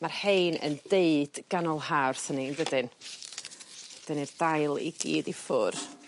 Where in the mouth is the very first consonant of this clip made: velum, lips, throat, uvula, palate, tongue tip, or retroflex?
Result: lips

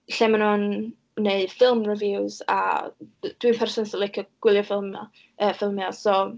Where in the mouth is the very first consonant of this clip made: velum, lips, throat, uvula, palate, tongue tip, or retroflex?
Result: tongue tip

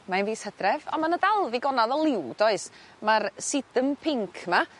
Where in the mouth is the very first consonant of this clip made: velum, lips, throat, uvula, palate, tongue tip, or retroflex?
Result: lips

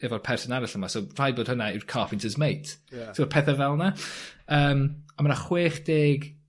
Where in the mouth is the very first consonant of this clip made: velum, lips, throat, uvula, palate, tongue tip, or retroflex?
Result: lips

